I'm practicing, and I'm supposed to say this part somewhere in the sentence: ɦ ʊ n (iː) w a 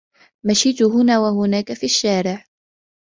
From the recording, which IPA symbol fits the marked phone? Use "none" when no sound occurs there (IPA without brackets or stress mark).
aː